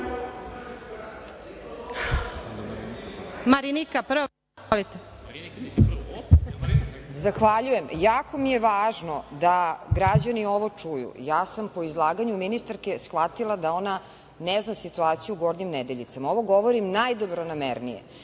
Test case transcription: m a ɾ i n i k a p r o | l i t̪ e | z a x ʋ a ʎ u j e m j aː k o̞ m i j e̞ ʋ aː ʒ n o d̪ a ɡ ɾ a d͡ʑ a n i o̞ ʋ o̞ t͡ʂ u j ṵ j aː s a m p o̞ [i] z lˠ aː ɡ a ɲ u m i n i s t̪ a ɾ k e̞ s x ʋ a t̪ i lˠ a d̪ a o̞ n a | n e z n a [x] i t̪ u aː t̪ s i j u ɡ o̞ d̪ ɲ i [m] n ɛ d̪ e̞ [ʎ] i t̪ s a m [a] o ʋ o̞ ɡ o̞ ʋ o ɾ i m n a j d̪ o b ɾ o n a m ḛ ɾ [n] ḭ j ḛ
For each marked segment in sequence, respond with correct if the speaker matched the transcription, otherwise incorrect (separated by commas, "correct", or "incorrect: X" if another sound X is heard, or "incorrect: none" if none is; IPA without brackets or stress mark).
correct, incorrect: s, correct, correct, correct, correct